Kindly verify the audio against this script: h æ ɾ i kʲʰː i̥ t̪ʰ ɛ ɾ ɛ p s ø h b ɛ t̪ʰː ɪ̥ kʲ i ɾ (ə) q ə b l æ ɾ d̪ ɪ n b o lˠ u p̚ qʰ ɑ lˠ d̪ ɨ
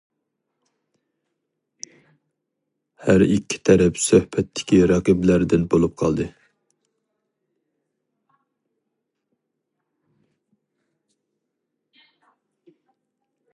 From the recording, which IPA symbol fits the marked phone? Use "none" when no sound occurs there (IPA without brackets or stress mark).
ɑ